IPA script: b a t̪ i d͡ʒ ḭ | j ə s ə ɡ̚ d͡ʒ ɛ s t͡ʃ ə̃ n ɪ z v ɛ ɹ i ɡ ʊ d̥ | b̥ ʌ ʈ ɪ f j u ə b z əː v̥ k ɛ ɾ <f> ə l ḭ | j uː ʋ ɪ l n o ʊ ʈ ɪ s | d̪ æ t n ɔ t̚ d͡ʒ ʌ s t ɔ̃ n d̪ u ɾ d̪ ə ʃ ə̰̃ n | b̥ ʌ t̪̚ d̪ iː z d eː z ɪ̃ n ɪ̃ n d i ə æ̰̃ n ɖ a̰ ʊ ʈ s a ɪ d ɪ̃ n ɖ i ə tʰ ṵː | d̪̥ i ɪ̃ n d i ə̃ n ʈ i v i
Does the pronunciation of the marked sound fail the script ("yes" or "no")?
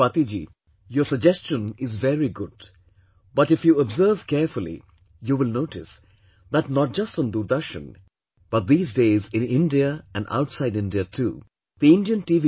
no